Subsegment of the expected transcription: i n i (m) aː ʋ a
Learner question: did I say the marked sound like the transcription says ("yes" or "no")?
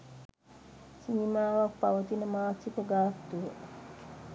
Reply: yes